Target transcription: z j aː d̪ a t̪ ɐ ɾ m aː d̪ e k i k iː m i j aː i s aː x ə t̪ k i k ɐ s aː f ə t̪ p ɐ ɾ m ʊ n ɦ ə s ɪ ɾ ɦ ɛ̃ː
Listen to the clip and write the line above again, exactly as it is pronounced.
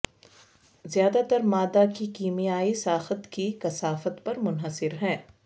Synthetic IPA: z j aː d̪ a t̪ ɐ ɾ m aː d̪ a k i k iː m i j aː i s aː x ə t̪ k i k ɐ s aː f ə t̪ p ɐ ɾ m ʊ n ɦ ə s ɪ ɾ ɦ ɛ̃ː